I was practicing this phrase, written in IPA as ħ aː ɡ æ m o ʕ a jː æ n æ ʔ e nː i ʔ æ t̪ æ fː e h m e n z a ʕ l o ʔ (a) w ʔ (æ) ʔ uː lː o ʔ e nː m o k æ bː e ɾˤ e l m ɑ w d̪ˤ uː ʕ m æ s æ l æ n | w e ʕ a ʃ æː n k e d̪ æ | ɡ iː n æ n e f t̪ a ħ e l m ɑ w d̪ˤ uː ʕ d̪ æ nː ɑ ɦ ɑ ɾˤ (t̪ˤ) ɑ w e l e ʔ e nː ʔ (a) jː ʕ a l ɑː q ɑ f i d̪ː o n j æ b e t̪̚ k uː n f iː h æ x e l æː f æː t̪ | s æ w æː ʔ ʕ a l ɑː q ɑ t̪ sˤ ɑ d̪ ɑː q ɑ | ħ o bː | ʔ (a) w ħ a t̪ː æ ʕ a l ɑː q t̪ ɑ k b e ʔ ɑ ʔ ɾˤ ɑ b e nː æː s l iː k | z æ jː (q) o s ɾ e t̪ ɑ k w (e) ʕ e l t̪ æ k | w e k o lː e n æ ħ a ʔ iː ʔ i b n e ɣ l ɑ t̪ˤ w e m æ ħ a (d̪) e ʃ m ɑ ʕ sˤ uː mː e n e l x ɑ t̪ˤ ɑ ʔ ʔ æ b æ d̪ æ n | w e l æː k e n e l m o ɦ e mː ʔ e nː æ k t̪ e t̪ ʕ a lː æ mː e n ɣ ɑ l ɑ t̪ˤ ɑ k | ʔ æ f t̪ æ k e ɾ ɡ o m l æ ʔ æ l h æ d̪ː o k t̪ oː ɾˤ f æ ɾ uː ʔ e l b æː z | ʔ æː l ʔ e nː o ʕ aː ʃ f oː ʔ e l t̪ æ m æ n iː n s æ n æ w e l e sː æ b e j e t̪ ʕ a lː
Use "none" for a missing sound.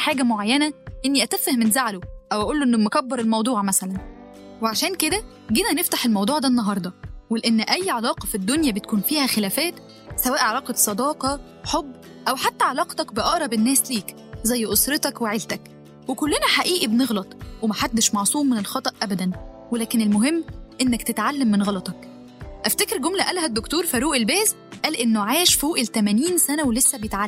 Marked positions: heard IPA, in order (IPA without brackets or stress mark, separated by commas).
æ, æ, d̪ˤ, æ, æ, ʔ, e, d̪ː